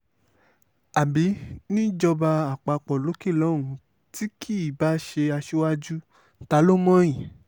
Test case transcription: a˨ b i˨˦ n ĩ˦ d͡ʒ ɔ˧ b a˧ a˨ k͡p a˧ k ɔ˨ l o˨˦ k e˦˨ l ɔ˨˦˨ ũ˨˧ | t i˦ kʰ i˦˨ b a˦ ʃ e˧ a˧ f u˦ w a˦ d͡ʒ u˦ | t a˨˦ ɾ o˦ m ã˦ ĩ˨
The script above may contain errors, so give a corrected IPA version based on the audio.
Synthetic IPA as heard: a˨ b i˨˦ n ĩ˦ d͡ʒ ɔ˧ b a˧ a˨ k͡p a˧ k͡p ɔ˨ l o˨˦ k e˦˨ l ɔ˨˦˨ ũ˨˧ | t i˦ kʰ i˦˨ b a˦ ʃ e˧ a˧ ʃ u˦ w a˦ d͡ʒ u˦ | t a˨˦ l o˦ m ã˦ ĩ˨